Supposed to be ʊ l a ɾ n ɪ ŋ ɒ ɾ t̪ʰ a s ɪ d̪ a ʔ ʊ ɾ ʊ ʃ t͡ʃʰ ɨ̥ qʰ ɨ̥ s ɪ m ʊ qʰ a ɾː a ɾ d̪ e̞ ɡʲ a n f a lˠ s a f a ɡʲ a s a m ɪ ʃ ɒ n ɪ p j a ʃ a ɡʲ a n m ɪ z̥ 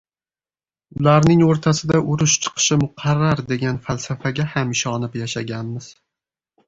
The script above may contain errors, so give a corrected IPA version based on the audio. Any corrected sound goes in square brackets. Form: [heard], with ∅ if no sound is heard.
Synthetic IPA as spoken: ʊ l a ɾ n ɪ ŋ [o] ɾ t̪ʰ a s ɪ d̪ a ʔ ʊ ɾ ʊ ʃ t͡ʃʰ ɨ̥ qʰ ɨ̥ [ʃ] ɪ m ʊ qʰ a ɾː a ɾ d̪ e̞ ɡʲ a n f a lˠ s a f a ɡʲ a [h] a m ɪ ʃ ɒ n ɪ p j a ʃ a ɡʲ a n m ɪ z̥